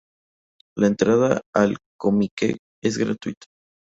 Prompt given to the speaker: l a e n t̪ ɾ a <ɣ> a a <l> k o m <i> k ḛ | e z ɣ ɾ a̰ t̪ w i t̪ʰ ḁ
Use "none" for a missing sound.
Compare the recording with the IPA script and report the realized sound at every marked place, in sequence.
ð, l, i

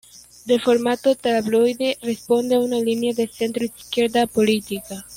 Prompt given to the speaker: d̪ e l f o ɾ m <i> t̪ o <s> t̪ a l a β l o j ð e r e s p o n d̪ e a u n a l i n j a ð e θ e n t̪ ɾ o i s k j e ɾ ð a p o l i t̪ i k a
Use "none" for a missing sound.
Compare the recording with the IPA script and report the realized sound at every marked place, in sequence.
a, none

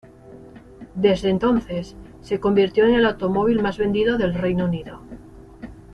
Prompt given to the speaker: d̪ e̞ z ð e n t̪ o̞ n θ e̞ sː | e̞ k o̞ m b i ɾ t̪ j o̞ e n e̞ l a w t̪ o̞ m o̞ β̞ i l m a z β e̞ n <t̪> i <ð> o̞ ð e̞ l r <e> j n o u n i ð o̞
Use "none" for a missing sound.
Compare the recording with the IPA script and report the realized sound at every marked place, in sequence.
d̪, ð, e

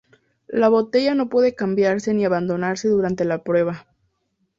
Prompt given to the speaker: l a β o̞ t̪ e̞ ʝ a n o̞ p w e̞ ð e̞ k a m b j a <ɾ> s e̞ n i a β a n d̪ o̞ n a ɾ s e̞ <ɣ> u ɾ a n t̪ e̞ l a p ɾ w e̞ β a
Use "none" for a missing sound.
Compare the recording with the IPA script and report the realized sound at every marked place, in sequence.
ɾ, ð

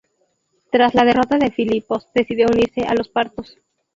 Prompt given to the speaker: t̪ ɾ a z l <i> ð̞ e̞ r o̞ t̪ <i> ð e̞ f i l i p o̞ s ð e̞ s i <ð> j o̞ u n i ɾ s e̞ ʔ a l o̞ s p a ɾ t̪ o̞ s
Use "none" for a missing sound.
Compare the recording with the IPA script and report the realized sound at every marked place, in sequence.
a, a, ð

